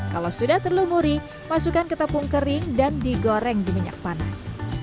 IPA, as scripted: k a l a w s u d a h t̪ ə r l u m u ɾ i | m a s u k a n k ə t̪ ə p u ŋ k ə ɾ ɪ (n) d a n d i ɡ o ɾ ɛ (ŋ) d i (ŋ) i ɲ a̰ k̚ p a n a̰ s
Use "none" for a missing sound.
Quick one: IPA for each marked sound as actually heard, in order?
ŋ, ŋ, m

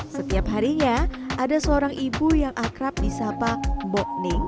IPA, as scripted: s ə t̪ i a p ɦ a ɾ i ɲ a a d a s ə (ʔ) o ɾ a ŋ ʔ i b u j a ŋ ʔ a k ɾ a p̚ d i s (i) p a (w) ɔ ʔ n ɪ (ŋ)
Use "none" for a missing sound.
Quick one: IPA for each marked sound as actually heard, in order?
none, a, b, ŋ

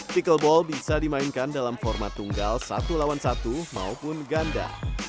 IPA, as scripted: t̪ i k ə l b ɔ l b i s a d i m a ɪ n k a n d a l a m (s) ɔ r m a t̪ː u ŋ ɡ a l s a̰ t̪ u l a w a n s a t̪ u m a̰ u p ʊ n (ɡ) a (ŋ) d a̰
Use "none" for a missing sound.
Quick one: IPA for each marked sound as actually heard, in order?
f, ɡ, n

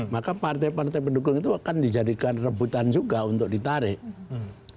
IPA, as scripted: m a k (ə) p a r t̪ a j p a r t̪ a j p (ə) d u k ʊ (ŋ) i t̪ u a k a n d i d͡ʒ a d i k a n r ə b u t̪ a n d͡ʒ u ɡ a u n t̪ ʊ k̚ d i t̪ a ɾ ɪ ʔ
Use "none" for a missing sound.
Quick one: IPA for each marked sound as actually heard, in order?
a, ə, ŋ

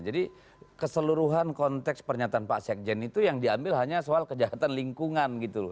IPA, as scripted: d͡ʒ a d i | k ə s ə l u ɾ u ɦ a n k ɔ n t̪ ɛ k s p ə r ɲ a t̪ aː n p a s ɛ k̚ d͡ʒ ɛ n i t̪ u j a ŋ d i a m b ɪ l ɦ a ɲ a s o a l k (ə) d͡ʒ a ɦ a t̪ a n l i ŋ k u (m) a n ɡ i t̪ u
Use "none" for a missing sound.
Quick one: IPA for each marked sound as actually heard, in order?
ə, ŋ

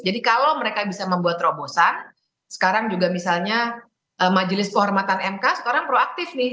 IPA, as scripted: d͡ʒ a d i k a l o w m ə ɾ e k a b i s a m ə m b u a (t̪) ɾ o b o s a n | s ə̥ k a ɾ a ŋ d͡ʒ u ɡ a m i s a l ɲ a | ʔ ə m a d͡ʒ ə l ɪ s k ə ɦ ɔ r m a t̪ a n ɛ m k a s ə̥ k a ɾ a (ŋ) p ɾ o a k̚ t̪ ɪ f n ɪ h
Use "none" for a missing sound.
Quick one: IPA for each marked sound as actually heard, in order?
t̪, ŋ

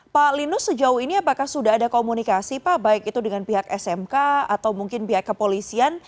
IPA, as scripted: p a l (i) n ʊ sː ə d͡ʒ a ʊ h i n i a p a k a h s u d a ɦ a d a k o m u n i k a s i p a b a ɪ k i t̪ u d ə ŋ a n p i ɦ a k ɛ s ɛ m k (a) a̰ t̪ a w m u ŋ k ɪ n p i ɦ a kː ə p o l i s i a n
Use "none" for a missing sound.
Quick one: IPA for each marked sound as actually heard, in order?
i, a

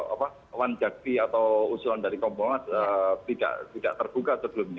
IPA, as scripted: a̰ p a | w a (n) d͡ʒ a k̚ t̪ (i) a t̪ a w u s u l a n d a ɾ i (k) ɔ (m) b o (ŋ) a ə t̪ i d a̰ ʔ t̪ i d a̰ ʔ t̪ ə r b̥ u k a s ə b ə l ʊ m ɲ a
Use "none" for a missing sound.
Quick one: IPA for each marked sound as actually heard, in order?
n, i, k, m, ŋ

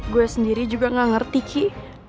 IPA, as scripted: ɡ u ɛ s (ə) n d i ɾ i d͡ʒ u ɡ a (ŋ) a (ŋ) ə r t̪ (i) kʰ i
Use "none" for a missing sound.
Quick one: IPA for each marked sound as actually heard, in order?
ə, ŋ, ŋ, i

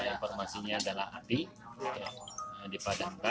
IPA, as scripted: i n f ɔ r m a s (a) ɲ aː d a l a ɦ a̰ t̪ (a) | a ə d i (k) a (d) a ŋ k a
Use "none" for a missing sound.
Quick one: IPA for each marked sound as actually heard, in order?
i, i, p, d

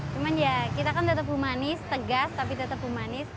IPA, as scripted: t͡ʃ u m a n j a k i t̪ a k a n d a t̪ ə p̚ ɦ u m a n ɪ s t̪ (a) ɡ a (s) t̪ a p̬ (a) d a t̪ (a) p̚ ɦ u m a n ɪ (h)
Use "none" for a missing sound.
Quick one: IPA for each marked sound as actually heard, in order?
ə, s, i, ə, s

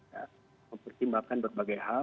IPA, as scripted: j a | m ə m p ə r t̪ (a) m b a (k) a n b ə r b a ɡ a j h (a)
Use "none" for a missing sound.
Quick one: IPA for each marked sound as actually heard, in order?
i, k, a

